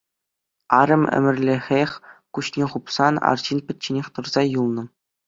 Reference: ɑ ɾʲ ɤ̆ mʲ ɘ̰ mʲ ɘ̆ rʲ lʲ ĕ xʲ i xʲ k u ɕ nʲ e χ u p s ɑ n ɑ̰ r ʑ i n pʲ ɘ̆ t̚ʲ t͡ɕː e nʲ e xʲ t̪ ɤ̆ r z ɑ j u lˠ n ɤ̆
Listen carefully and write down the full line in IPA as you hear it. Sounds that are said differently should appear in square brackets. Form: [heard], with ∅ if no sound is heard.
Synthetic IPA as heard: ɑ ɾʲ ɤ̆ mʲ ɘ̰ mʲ ɘ̆ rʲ lʲ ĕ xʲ [e] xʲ k u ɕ nʲ e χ u p s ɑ n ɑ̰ r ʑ i n pʲ ɘ̆ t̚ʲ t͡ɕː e nʲ e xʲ t̪ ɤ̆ r z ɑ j u lˠ n ɤ̆